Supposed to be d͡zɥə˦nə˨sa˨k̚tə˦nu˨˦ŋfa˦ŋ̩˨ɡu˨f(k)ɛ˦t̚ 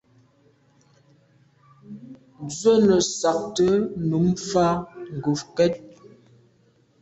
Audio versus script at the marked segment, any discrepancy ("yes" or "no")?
no